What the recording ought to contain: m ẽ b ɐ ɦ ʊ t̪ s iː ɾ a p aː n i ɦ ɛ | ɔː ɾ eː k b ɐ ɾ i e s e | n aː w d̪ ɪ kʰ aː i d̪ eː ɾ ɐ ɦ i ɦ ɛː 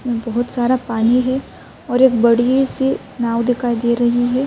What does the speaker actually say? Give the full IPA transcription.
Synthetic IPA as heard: m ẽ b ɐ ɦ ʊ t̪ s aː ɾ a p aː n i ɦ ɛ | ɔː ɾ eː k b ɐ ɽ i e s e | n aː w d̪ ɪ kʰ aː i d̪ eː ɾ ɐ ɦ i ɦ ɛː